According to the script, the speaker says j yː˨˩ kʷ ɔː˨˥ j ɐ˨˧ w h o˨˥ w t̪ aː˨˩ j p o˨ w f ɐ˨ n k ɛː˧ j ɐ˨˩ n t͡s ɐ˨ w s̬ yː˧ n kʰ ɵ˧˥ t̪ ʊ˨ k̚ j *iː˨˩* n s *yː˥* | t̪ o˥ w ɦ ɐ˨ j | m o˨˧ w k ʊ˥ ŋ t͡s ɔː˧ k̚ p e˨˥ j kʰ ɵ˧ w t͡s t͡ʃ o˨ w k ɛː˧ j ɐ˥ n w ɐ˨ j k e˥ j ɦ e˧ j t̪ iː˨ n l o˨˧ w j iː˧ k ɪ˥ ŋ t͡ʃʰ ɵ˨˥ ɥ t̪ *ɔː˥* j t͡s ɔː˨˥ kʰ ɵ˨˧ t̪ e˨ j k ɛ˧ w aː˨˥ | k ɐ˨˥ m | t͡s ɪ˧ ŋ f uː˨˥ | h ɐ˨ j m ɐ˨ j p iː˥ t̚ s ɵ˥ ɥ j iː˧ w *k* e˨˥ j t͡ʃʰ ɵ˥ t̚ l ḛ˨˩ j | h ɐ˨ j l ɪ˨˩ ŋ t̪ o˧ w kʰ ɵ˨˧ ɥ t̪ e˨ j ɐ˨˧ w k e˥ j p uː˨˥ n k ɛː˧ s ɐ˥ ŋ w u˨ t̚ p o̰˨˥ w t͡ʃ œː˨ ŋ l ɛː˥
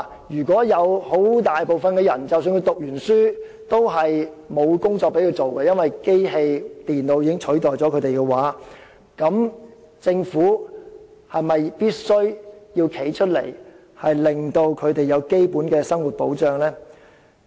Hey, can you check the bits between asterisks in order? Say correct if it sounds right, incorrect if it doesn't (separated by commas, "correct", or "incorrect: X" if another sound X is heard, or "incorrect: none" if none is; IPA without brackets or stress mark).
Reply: incorrect: yː˨˩, correct, incorrect: ɔː˨, incorrect: kʰ